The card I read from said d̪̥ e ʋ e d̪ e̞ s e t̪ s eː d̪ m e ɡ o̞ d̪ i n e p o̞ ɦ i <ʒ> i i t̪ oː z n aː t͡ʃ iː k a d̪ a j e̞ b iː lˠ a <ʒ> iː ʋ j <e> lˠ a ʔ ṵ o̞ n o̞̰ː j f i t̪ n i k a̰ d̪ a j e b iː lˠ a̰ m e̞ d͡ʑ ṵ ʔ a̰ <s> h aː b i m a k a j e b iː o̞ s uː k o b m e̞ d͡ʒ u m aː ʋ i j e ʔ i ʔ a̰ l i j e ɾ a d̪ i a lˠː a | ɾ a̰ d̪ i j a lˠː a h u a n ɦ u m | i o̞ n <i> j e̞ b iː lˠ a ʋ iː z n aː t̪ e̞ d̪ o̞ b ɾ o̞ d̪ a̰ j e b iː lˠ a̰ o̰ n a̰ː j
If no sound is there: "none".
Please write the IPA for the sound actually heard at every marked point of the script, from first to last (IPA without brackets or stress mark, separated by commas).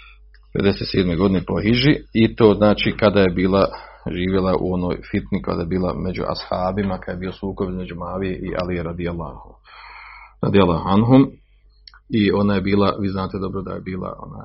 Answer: ʒ, ʒ, e, s, a